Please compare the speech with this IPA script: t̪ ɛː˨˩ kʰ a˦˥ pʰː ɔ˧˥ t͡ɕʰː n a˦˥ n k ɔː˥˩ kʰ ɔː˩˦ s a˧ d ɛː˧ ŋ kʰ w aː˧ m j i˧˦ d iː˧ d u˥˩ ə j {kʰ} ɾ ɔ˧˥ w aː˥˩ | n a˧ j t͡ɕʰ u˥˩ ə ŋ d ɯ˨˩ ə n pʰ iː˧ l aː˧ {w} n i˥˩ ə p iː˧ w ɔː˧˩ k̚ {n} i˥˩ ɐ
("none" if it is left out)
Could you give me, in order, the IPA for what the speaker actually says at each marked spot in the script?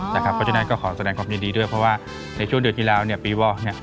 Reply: pʰ, w, n

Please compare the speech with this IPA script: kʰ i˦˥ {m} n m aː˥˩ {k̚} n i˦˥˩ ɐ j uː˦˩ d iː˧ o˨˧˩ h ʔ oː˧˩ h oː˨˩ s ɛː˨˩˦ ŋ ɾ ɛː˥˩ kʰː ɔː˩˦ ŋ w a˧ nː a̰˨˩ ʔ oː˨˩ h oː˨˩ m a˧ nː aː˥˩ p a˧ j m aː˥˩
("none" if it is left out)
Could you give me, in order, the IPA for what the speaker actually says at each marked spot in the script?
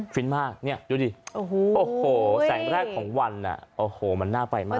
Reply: none, k̚

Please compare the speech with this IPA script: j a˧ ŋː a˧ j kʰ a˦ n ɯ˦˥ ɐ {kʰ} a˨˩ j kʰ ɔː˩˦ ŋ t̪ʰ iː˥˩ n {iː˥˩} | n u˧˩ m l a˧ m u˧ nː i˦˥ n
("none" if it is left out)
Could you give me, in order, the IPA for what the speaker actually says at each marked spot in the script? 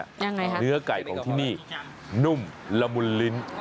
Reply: k, iː˥˩

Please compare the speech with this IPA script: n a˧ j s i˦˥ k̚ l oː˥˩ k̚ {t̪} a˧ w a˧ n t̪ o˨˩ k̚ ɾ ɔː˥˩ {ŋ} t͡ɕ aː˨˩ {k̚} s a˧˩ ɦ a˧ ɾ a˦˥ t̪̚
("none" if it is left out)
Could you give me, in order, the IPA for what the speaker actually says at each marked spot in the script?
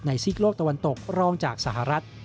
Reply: t̪, ŋ, k̚

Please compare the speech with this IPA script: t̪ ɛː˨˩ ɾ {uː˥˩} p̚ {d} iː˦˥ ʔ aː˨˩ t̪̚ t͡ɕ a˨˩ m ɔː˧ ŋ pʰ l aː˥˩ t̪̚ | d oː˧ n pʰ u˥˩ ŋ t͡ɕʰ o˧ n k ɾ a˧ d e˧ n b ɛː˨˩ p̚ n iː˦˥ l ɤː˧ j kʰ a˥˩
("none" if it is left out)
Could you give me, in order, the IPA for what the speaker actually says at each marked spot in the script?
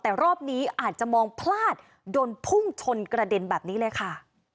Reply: ɔː˥˩, n

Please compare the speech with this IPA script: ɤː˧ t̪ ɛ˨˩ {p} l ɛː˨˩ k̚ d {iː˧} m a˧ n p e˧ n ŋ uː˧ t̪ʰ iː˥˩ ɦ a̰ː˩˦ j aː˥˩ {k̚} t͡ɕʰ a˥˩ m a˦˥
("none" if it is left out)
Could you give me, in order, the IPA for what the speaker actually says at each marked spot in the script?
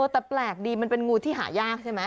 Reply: p, iː˧, k̚

